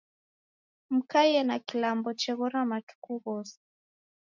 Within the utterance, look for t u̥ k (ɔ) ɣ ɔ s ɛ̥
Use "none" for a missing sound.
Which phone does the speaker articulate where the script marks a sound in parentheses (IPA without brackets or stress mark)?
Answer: u